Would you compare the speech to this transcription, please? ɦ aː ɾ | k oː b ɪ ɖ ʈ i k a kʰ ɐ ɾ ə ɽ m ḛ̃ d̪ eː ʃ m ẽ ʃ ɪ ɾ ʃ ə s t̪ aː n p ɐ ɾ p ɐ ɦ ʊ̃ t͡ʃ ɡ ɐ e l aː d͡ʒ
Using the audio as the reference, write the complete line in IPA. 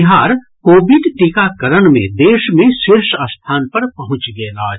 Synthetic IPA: ɦ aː ɾ | k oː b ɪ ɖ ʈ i k a k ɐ ɾ ə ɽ m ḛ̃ d̪ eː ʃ m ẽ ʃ ɪ ɾ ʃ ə s t̪ʰ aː n p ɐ ɾ p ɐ ɦ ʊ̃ t͡ʃ ɡ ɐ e l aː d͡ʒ